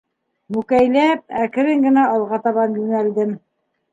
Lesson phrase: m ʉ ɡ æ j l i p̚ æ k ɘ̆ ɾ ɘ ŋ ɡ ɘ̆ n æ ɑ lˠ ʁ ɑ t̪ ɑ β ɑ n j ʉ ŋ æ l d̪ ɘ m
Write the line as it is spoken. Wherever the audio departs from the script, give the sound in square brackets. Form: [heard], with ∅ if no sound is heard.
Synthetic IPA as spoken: m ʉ [k] æ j l [æ] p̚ æ k ɘ̆ ɾ ɘ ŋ ɡ ɘ̆ n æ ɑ lˠ ʁ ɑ t̪ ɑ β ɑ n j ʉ ŋ æ l d̪ ɘ m